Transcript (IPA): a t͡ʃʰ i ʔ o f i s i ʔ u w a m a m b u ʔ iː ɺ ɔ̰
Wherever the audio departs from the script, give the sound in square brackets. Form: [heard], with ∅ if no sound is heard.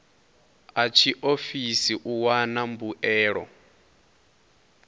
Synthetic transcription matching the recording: a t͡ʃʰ i ʔ o f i s i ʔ u w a [n] a m b u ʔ [ɛː] ɺ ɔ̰